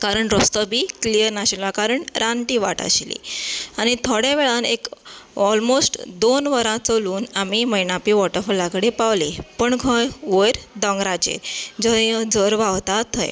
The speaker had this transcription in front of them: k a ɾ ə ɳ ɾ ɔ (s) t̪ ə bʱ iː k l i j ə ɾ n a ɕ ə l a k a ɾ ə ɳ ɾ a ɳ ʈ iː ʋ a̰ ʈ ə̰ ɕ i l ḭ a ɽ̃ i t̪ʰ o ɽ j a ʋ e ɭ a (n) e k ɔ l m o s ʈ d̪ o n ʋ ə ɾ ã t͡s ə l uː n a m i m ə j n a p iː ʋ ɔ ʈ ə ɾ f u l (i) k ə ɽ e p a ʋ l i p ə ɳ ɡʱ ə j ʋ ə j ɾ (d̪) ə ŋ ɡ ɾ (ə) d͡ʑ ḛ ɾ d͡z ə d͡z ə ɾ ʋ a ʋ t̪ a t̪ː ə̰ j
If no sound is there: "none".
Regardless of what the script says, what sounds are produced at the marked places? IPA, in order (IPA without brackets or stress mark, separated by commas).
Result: s, n, a, d̪, a